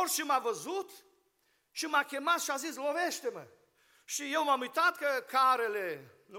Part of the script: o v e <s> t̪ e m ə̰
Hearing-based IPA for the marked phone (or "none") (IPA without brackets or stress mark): ʃ